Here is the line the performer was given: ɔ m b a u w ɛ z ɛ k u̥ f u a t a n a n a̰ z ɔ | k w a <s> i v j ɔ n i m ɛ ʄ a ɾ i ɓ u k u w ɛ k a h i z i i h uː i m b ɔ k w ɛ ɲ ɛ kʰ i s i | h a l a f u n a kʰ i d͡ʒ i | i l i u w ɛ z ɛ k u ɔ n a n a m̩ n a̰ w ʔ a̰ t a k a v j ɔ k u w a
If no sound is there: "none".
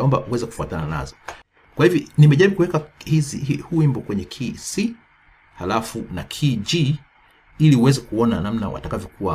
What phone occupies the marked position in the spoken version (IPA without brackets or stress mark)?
h